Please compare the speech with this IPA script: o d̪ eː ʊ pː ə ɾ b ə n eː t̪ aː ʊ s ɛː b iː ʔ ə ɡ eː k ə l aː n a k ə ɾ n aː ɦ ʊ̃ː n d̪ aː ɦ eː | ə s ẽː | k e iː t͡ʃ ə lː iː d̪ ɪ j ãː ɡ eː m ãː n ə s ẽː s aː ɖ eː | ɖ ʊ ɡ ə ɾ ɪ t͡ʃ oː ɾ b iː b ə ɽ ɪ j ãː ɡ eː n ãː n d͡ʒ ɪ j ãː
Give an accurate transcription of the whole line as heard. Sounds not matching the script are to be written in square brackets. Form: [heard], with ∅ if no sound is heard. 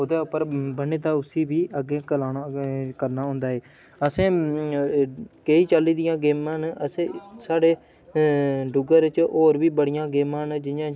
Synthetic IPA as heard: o d̪ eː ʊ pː ə ɾ b ə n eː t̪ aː ʊ s [iː] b iː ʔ ə ɡ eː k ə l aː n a k ə ɾ n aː ɦ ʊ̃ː n d̪ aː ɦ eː | ə s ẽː | k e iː t͡ʃ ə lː iː d̪ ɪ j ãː ɡ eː m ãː n ə s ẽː s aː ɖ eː | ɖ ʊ ɡ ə ɾ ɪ t͡ʃ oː ɾ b iː b ə ɽ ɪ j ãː ɡ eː [m] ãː n d͡ʒ ɪ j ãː